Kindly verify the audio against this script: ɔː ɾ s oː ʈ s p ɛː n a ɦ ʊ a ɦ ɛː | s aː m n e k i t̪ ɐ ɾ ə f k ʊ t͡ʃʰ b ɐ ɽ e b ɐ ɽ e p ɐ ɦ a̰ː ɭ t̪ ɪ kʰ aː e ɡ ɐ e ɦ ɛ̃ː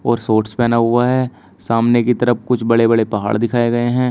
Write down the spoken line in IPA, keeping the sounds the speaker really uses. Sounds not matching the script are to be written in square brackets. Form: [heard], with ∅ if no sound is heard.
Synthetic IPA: ɔː ɾ s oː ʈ s p ɛː n a ɦ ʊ a ɦ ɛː | s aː m n e k i t̪ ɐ ɾ ə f k ʊ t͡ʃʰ b ɐ ɽ e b ɐ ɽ e p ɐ ɦ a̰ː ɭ [d̪] ɪ kʰ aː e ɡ ɐ e ɦ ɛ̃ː